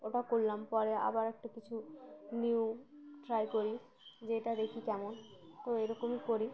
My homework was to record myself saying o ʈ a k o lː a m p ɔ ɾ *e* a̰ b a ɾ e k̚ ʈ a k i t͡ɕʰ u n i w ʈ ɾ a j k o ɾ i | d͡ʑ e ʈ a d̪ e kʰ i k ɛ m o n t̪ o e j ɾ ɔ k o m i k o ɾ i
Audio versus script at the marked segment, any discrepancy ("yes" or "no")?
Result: no